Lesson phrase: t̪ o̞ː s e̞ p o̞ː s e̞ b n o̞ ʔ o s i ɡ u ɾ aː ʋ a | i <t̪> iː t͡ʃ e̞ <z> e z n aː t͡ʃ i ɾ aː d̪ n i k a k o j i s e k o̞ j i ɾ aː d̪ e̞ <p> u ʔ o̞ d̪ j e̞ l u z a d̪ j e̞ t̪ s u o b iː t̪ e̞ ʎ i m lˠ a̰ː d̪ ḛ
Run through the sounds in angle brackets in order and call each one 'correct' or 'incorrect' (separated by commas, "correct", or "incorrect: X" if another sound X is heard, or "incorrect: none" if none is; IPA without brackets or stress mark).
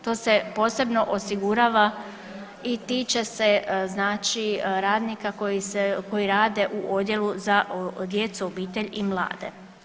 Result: correct, incorrect: s, incorrect: ʔ